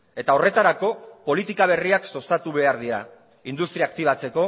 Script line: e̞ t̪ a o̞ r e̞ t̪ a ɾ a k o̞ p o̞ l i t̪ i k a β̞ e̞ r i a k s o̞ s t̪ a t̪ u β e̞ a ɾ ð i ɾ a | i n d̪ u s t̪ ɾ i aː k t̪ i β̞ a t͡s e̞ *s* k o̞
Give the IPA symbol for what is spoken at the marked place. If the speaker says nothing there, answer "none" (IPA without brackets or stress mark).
none